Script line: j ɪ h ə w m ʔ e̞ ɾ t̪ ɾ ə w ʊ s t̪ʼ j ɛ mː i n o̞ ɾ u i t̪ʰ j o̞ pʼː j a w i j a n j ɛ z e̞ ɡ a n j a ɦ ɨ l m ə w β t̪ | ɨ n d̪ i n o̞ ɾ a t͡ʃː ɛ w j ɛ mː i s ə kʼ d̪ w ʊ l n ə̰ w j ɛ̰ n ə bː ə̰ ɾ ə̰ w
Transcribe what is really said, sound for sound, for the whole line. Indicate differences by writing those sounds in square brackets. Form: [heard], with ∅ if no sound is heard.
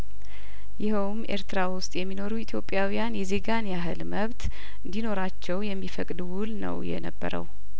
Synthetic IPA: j ɪ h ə w m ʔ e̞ ɾ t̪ ɾ [a] w ʊ s t̪ʼ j ɛ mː i n o̞ ɾ u i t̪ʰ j o̞ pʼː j a w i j a n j ɛ z e̞ ɡ a n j a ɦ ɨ l m ə [∅] β t̪ | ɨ n d̪ i n o̞ ɾ a t͡ʃː ɛ w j ɛ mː i [f] ə kʼ d̪ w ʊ l n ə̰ w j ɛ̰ n ə bː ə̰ ɾ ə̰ w